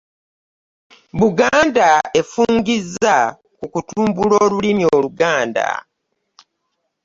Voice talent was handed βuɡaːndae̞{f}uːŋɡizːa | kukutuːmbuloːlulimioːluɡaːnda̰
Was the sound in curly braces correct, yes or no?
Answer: yes